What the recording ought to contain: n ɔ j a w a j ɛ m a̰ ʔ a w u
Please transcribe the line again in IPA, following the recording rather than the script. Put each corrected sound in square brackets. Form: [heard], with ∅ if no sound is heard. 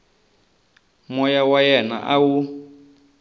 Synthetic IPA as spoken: [m] ɔ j a w a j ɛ [n] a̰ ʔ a w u